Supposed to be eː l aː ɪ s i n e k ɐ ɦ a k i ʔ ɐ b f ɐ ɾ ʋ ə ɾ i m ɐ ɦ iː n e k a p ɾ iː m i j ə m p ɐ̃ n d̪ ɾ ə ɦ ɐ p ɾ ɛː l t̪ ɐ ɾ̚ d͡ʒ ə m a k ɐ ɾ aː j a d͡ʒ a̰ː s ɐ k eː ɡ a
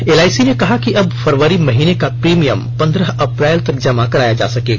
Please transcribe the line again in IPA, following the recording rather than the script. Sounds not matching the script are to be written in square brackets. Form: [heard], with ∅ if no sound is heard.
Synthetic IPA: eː l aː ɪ s i n e k ɐ ɦ a k i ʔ ɐ b f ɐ ɾ ʋ ə ɾ i m ɐ ɦ iː n e k a p ɾ iː m i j ə m p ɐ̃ n d̪ ɾ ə ɦ ɐ p ɾ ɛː l t̪ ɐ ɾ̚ d͡ʒ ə m a k ɐ ɾ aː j a d͡ʒ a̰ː s ɐ k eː ɡ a